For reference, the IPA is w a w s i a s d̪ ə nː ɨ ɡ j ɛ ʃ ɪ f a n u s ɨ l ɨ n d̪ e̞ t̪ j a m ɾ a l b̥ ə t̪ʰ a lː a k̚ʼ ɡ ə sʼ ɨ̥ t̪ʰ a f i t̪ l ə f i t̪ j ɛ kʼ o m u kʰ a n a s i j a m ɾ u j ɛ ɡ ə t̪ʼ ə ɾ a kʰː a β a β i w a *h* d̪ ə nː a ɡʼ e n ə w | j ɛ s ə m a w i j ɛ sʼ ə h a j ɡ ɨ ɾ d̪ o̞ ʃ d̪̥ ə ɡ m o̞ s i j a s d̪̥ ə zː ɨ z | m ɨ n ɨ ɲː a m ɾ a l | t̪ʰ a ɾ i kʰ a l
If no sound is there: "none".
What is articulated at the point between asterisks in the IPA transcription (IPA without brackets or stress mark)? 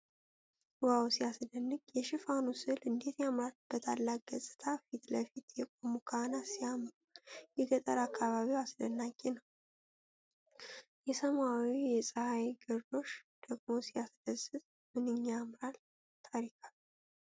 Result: s